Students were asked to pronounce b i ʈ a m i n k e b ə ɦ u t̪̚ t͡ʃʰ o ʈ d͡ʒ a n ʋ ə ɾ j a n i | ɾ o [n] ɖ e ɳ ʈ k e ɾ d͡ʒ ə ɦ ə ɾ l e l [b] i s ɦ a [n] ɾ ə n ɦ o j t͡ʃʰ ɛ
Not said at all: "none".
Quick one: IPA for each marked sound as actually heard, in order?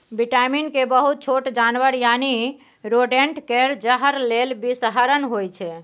none, b, none

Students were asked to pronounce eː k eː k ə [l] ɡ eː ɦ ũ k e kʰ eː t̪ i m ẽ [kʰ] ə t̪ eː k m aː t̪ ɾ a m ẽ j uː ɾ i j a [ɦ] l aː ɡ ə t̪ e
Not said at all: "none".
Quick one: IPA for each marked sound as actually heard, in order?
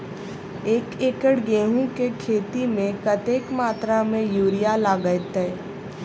ɽ, k, none

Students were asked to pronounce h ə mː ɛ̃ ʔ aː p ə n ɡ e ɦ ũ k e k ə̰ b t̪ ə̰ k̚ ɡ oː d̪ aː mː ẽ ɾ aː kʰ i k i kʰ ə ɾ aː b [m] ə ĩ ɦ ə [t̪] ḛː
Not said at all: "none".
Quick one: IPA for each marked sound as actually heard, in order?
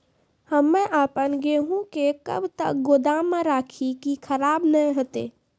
n, t̪

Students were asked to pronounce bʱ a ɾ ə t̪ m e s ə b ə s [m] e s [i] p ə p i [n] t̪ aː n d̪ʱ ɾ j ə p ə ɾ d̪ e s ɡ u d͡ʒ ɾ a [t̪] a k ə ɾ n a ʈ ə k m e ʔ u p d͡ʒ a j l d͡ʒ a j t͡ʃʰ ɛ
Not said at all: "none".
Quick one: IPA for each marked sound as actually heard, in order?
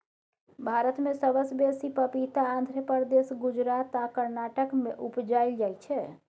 b, i, none, t̪

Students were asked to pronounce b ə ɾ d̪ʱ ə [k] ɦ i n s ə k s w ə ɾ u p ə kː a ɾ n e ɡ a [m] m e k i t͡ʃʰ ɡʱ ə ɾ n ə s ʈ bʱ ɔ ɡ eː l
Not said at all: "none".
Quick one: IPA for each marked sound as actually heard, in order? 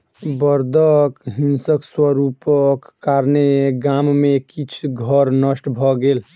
k, m

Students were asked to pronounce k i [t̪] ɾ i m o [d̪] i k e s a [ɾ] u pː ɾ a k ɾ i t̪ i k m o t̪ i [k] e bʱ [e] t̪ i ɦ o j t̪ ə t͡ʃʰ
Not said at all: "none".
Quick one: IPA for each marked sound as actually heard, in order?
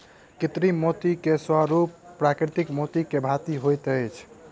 t̪, t̪, ɾ, k, a

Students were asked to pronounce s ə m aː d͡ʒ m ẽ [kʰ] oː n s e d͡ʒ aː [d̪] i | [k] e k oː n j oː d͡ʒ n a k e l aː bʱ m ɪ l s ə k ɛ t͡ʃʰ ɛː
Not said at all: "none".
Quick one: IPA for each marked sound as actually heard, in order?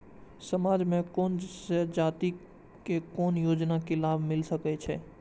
k, t̪, k

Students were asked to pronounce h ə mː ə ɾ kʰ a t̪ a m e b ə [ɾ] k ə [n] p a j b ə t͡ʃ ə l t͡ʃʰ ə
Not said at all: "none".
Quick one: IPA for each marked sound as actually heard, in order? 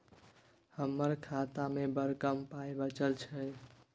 ɾ, m

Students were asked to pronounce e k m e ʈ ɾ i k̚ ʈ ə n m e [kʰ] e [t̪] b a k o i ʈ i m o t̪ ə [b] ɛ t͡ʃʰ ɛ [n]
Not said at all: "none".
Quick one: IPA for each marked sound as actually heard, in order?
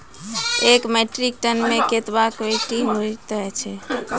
k, t̪, none, none

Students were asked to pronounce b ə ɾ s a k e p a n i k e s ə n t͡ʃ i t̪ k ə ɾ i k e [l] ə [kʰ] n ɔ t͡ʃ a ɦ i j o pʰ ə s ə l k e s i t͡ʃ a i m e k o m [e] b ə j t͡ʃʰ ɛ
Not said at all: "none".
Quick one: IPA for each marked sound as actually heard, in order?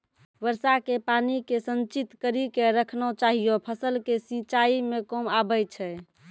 ɾ, kʰ, a

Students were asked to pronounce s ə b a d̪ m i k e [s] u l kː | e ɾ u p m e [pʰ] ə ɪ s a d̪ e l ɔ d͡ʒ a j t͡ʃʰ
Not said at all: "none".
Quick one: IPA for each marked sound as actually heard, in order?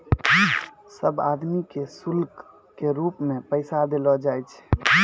s, p

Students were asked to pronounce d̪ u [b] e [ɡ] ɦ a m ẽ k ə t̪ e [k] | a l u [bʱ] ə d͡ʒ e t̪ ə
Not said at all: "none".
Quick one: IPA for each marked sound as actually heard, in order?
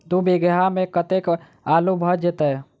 b, ɡ, k, bʱ

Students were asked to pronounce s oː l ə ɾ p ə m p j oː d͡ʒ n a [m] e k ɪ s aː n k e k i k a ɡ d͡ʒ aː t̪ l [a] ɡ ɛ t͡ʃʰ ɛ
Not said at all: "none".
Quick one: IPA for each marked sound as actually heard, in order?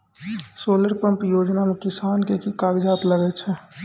m, ə

